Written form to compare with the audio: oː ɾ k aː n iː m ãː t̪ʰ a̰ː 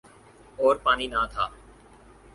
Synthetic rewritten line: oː ɾ p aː n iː n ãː t̪ʰ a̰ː